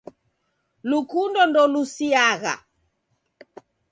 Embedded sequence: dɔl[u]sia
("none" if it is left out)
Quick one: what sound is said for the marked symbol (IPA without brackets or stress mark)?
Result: u